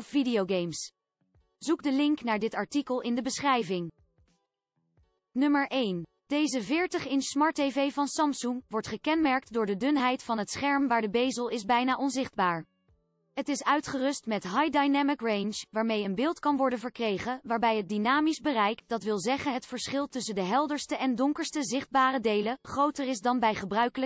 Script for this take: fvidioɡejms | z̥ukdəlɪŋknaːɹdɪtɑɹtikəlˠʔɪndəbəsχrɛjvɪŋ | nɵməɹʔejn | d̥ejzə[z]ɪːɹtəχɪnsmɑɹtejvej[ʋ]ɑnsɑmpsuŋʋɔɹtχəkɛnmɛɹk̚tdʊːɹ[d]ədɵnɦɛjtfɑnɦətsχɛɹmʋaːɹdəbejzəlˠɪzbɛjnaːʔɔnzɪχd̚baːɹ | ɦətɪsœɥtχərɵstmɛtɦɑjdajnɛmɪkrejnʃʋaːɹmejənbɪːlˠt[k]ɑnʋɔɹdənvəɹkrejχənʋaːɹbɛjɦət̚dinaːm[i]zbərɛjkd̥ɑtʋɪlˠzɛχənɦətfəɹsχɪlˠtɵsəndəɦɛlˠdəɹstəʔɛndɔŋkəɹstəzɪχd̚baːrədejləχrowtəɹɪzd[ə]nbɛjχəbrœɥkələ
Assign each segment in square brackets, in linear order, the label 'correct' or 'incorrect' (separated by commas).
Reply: incorrect, incorrect, correct, correct, correct, incorrect